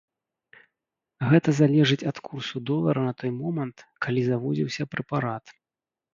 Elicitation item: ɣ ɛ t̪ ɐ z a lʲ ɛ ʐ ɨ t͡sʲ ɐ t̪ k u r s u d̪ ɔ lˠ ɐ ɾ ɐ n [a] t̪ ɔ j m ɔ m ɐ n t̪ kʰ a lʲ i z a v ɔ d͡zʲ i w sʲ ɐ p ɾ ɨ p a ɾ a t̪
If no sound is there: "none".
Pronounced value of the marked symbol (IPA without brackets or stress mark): ɐ